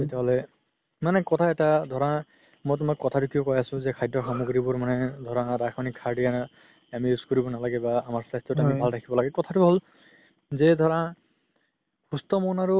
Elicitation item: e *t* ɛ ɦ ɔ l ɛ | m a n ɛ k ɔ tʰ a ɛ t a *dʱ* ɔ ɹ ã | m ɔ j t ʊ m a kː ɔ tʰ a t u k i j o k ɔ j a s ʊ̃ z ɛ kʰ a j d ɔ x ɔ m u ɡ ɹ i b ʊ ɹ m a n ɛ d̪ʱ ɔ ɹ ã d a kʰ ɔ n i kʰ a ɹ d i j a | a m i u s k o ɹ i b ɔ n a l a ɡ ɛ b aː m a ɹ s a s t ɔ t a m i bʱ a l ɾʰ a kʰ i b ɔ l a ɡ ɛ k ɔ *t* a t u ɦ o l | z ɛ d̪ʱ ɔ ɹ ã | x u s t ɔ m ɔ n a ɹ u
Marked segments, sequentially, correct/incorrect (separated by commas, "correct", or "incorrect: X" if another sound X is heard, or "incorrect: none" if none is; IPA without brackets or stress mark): correct, correct, incorrect: tʰ